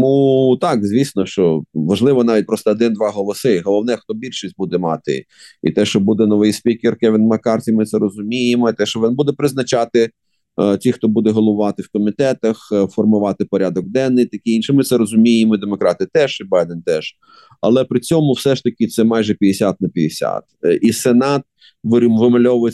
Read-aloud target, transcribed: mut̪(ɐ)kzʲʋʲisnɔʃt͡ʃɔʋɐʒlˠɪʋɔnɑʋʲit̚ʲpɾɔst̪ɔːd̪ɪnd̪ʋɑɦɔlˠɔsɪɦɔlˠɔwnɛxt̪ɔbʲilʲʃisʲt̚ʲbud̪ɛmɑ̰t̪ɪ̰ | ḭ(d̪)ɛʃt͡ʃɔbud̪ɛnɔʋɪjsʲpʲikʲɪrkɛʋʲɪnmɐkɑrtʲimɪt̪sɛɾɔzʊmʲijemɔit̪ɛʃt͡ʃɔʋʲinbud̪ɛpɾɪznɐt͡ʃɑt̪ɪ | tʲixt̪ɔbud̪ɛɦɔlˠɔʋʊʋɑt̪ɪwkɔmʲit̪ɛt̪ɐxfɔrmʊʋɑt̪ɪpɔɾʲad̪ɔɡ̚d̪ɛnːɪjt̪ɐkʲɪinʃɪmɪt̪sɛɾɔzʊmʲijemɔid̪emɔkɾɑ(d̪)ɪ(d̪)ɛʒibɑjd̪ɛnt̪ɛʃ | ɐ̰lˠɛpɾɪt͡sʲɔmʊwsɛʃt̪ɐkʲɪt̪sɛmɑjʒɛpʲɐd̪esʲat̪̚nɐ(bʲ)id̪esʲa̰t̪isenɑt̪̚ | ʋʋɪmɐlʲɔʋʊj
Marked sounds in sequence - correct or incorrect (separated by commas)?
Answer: incorrect, incorrect, incorrect, incorrect, incorrect